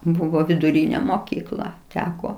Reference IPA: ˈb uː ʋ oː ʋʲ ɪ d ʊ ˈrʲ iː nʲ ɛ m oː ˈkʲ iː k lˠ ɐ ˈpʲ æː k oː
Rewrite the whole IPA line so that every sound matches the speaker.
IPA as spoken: ˈb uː ʋ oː ʋʲ ɪ d ʊ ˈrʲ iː nʲ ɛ m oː ˈkʲ iː k lˠ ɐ ˈtʲ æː k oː